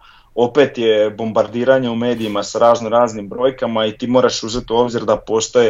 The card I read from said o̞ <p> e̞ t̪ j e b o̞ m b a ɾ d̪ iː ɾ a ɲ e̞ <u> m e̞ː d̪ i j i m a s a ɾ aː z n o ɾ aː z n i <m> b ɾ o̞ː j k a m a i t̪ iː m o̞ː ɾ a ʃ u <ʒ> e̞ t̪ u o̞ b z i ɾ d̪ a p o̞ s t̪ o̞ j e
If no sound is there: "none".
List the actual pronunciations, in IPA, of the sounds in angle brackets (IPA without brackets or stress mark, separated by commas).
p, u, m, z